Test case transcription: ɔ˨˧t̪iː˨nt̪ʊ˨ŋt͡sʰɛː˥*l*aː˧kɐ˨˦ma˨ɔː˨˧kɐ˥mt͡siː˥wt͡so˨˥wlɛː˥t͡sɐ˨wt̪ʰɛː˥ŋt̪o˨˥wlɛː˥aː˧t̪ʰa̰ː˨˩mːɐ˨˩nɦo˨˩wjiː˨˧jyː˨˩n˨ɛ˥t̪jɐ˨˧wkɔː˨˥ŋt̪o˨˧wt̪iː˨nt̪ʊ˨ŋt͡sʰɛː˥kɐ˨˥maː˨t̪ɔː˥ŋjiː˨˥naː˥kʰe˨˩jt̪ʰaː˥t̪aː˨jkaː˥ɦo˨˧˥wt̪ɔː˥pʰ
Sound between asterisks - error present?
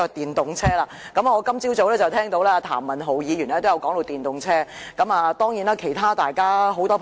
no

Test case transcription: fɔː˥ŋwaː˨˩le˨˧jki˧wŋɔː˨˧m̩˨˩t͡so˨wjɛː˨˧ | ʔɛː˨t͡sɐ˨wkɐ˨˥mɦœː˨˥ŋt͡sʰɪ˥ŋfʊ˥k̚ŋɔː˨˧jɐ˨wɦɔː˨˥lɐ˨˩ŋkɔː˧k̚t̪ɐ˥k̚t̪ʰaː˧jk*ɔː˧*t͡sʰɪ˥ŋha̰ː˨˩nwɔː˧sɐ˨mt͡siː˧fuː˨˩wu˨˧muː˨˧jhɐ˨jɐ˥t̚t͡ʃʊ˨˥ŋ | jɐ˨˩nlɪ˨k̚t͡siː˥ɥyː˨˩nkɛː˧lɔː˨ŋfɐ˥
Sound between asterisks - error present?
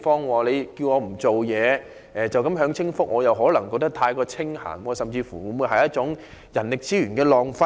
no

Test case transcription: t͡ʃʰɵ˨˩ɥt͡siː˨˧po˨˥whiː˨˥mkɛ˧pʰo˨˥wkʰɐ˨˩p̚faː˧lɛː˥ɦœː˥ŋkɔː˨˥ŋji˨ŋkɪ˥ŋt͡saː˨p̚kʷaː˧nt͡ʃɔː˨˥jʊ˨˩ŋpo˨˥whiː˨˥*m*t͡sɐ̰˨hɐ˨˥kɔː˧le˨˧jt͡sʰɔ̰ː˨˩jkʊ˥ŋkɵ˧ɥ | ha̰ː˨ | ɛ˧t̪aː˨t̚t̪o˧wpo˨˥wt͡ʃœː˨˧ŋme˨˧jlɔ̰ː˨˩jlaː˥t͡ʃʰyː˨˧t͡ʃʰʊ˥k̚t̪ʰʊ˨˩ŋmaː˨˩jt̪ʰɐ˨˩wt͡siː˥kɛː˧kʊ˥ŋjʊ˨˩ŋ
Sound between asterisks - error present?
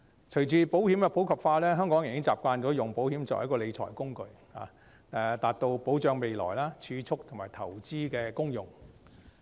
no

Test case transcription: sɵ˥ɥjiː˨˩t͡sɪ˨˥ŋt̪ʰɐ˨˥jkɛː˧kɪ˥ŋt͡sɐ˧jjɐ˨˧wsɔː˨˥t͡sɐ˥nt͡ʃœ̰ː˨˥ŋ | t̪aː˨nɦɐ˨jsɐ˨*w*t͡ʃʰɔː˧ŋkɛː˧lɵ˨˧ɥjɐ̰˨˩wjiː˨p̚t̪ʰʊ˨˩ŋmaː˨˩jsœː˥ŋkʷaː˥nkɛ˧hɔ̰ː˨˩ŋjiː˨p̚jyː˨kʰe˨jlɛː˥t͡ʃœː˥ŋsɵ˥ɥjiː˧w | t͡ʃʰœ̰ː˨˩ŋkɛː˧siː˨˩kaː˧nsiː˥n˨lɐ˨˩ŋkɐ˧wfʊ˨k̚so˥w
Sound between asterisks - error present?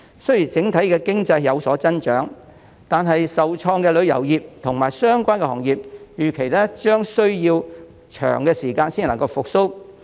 no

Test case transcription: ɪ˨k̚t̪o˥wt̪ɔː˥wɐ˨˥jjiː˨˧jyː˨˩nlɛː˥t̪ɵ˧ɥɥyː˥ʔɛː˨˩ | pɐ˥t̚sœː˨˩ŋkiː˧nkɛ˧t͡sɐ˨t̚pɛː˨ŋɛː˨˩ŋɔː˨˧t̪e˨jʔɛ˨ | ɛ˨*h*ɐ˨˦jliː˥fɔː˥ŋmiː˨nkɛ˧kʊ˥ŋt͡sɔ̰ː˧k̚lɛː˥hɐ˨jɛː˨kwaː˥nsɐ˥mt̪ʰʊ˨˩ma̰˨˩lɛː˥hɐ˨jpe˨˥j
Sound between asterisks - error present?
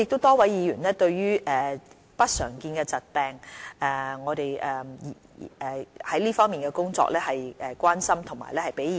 no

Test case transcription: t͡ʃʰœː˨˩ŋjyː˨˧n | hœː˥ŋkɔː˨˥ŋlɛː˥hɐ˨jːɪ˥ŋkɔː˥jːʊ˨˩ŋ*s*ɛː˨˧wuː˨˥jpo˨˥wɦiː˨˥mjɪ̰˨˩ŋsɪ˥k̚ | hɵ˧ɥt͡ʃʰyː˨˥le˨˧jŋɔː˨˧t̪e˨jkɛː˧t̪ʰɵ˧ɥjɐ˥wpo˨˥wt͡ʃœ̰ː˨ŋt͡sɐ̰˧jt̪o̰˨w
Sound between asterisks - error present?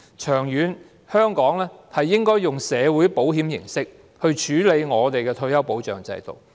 no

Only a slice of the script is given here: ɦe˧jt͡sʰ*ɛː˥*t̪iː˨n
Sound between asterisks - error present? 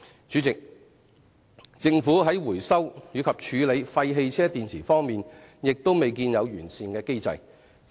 no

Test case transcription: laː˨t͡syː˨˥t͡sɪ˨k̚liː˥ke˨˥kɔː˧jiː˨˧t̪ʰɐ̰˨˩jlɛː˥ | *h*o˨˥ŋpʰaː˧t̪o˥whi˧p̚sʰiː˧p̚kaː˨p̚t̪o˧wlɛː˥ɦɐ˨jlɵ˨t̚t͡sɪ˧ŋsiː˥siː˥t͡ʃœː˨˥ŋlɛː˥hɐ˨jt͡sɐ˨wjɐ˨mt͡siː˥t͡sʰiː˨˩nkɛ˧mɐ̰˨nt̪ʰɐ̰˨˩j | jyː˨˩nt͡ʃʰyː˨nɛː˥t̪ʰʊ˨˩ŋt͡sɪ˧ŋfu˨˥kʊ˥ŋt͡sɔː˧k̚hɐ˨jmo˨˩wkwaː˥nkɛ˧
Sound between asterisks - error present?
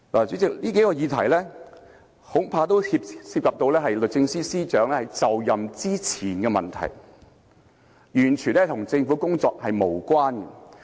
no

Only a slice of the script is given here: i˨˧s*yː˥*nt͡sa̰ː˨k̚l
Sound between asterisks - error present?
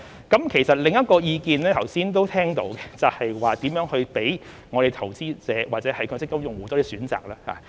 yes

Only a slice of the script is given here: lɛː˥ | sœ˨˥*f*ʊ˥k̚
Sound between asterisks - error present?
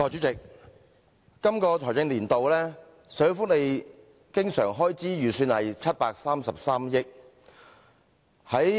no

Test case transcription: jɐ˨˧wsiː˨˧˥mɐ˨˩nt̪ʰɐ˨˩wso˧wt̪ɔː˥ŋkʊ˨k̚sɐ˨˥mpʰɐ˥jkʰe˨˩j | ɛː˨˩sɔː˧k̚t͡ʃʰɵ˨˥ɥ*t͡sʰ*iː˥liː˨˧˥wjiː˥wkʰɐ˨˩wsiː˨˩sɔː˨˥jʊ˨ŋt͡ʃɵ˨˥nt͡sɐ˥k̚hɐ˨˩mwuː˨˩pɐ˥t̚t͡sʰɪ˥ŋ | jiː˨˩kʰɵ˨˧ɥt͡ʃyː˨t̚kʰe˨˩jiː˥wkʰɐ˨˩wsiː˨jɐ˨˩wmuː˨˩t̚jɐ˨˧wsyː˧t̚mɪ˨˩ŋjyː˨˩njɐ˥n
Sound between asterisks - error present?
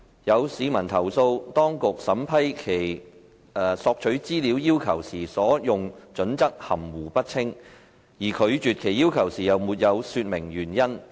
yes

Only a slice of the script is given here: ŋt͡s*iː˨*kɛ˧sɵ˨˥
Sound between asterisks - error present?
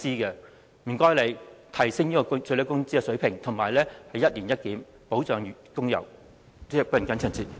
yes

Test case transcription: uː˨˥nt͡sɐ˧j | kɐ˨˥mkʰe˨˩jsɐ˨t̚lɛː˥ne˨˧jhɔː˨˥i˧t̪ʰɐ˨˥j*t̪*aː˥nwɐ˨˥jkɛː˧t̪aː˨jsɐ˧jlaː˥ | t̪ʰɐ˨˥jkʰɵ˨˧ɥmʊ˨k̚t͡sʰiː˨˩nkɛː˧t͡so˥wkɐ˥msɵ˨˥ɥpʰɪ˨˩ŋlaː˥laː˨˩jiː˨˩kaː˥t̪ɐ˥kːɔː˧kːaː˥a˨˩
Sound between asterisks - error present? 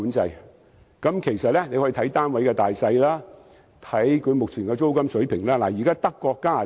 no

